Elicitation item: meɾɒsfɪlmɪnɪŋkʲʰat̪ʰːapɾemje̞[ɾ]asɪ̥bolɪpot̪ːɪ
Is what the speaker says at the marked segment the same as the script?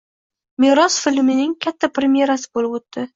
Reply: yes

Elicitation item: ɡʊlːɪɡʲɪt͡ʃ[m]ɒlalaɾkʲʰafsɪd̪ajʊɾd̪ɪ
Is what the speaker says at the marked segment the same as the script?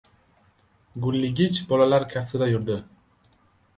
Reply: no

